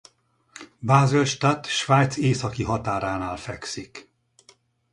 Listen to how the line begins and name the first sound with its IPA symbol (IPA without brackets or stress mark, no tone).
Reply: b